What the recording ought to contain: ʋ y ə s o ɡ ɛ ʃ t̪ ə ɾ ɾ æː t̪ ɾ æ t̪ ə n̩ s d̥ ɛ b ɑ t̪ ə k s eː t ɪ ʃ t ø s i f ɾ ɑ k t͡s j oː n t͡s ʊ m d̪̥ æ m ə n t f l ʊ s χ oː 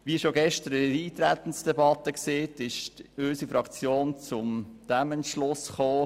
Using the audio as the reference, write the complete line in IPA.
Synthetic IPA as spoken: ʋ i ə ʃ o ɡ ɛ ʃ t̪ ə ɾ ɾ iː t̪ ɾ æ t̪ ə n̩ s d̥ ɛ b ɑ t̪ ə k s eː t ɪ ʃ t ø s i f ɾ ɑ k t͡s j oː n t͡s ʊ m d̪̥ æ m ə n t ʃ l ʊ s χ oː